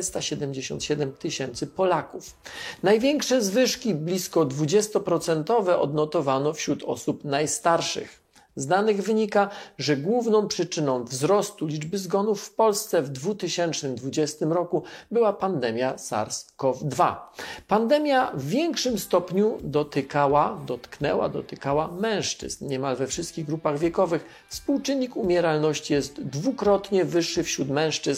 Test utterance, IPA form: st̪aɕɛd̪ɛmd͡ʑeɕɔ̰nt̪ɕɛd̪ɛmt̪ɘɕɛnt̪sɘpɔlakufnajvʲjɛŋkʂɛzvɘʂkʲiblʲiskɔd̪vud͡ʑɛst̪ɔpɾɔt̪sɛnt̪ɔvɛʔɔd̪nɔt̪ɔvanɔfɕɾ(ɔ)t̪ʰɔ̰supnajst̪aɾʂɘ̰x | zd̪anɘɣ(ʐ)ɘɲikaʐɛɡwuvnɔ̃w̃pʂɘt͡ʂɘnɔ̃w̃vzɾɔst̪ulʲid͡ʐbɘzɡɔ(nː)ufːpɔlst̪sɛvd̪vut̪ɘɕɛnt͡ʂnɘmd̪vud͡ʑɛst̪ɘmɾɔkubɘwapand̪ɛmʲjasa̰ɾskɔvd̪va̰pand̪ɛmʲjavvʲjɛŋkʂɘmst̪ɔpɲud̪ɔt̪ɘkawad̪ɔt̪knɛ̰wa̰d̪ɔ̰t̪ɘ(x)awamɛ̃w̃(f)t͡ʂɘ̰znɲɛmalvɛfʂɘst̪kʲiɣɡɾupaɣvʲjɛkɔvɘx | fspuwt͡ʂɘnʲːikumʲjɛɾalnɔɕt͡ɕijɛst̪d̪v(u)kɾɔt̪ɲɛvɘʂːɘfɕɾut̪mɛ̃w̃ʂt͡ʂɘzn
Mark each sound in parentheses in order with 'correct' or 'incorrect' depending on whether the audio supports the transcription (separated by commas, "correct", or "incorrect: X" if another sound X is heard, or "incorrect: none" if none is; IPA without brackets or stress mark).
incorrect: u, incorrect: v, incorrect: n, incorrect: k, incorrect: ʂ, correct